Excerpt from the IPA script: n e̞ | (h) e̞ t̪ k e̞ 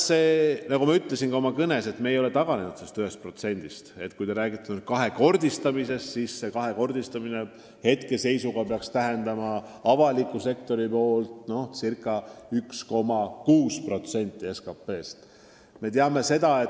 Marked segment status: correct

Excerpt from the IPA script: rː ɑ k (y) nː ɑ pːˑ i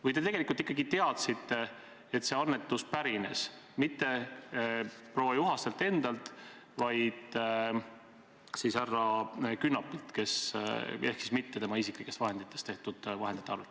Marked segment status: correct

